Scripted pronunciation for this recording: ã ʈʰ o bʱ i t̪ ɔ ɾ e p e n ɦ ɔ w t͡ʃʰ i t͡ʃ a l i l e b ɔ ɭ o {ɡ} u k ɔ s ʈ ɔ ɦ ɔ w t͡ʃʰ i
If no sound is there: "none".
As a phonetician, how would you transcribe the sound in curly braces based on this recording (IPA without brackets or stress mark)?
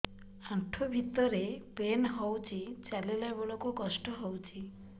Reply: k